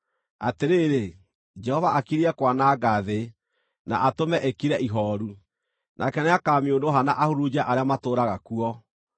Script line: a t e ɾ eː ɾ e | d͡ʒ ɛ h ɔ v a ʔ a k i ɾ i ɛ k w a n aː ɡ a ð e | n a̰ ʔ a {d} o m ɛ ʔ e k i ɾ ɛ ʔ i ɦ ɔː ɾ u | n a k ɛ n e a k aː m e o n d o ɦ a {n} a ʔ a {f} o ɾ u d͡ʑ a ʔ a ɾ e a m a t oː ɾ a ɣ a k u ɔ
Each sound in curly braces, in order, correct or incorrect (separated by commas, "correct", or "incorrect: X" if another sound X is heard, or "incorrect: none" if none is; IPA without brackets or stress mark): incorrect: t, correct, incorrect: h